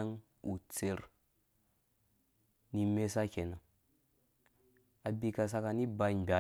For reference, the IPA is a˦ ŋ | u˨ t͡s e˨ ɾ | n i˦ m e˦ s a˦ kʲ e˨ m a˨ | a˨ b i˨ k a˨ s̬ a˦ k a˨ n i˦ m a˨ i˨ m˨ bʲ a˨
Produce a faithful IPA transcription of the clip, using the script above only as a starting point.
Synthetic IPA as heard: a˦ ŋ | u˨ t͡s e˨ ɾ | n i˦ m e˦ s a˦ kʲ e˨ n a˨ | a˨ b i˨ k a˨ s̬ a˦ k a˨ n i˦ b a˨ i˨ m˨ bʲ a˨